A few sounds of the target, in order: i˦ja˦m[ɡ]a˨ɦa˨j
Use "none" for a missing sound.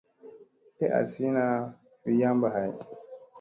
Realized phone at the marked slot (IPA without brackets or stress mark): b